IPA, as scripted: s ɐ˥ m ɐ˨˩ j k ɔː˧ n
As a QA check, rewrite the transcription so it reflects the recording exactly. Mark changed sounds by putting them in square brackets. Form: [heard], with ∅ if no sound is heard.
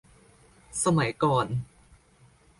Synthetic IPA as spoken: s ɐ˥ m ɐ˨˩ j k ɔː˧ n